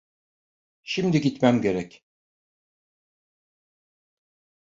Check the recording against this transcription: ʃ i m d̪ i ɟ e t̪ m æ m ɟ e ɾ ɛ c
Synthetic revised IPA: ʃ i m d̪ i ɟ i t̪ m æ m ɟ e ɾ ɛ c